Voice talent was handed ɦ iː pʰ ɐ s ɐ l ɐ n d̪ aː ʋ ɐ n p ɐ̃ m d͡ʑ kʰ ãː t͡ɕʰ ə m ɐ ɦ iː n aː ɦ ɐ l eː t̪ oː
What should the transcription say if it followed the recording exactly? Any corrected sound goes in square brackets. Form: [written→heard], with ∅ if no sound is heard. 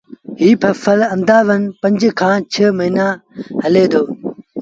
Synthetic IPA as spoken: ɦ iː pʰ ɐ [s→f] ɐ l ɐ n d̪ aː ʋ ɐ n p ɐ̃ [m→ɲ] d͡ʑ kʰ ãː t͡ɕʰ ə m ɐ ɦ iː n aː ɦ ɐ l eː [t̪→d̪] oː